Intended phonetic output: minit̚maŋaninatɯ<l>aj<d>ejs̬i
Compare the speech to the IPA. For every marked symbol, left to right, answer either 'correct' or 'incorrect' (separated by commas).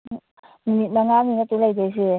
correct, correct